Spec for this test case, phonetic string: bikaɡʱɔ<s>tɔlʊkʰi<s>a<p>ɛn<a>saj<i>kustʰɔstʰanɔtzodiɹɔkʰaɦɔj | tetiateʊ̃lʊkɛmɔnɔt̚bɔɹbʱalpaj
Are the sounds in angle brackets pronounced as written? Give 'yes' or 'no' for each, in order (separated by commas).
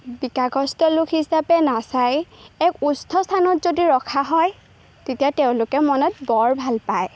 yes, yes, yes, yes, no